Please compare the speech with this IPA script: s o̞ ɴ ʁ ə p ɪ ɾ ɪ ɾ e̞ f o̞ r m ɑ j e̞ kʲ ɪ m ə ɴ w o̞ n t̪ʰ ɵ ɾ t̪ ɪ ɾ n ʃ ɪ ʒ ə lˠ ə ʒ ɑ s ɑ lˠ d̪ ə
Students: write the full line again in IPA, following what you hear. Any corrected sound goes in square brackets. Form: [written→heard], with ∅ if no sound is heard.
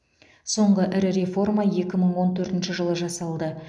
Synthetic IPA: s o̞ ɴ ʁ ə [p→ʔ] ɪ ɾ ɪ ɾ e̞ f o̞ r m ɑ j e̞ kʲ ɪ m ə ɴ w o̞ n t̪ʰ ɵ ɾ t̪ ɪ [ɾ→∅] n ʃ ɪ ʒ ə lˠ ə ʒ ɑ s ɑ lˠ d̪ ə